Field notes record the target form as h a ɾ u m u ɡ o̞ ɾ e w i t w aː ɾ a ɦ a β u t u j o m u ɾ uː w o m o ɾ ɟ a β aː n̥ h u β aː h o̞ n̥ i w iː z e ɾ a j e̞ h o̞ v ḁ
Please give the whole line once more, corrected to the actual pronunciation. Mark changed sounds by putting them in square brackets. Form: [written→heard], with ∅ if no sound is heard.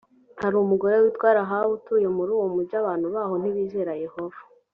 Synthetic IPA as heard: h a ɾ u m u ɡ o̞ ɾ e w i t w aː ɾ a ɦ a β u t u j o m u ɾ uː w o m [o→u] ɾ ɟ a β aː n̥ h u β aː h o̞ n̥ i [w→β] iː z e ɾ a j e̞ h o̞ v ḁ